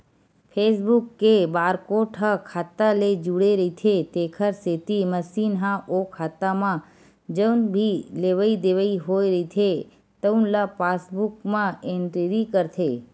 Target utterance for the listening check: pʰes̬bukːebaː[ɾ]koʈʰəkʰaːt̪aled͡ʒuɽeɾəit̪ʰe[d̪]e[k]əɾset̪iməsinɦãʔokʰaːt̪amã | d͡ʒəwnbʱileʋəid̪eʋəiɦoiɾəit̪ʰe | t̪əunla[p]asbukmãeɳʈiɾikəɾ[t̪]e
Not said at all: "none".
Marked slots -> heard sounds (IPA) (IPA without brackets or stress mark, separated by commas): ɾ, t̪, kʰ, p, t̪ʰ